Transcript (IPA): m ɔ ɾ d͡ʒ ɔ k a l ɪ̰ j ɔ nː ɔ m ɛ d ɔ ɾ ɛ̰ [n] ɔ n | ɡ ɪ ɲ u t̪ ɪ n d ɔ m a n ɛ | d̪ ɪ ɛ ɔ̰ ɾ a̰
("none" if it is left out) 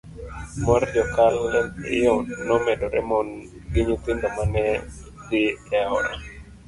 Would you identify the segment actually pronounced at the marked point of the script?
m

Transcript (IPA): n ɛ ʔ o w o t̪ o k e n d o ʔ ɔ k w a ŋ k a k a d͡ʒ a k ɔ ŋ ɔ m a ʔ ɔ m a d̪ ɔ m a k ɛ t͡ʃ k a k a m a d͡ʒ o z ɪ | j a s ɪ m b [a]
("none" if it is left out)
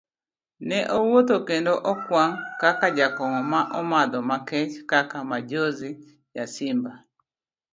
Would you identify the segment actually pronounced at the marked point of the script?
a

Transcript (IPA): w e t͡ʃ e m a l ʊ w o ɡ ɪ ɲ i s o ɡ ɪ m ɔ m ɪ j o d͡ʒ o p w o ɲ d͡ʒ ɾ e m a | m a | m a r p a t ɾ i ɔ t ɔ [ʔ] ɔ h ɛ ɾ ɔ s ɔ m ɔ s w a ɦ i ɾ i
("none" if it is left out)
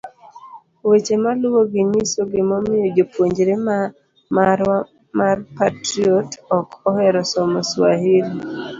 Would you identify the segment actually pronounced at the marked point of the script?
k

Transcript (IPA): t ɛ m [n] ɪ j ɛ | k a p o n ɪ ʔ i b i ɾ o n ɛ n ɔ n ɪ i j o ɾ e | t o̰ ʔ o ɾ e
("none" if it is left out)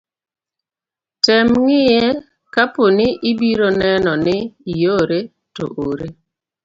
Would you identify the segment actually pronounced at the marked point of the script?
ŋ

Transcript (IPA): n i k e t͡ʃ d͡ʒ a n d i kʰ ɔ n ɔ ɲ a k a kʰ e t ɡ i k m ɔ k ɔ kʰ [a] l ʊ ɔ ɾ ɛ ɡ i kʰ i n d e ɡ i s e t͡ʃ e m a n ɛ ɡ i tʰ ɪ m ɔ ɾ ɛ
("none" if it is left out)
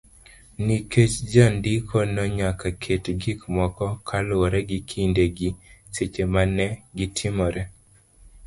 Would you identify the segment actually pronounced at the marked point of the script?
a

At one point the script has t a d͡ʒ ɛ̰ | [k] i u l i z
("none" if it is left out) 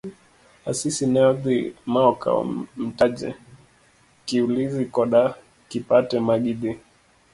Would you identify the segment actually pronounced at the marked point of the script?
k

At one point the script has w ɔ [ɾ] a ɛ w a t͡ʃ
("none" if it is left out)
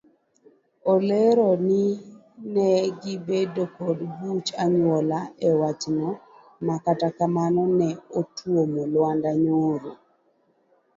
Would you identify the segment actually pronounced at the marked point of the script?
l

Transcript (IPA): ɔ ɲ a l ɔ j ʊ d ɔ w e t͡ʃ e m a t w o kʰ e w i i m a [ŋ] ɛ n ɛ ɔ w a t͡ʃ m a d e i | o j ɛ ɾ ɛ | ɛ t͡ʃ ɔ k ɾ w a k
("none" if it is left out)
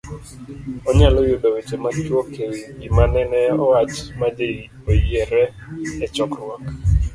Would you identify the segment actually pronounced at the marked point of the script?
n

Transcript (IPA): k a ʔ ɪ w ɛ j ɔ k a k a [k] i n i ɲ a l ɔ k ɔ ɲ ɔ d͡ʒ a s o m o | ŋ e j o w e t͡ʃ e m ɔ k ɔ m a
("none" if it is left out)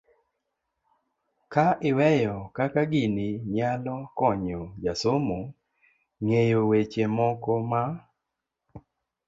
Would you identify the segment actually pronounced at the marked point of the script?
ɡ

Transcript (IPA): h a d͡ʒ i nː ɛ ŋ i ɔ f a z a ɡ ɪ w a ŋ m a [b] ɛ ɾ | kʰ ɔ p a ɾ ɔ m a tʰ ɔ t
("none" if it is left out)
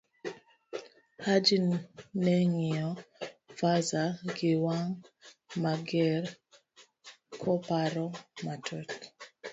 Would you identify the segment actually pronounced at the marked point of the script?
ɡ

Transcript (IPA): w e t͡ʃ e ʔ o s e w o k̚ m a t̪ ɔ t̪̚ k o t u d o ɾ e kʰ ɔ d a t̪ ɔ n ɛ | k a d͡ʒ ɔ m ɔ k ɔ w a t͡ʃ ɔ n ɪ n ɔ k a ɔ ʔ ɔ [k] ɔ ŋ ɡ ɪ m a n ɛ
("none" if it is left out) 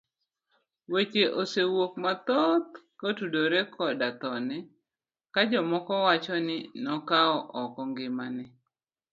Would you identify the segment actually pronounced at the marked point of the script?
k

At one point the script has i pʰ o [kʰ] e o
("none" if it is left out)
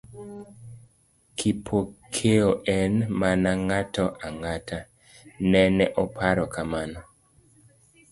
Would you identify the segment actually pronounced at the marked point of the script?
kʰ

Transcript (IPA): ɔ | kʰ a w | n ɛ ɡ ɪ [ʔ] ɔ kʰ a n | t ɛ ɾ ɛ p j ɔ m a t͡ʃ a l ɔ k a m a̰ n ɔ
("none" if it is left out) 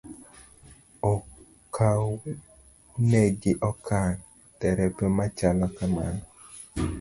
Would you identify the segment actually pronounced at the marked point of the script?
ʔ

